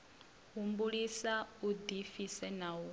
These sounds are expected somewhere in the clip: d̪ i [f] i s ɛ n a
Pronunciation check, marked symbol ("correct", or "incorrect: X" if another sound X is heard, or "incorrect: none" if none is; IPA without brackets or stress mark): correct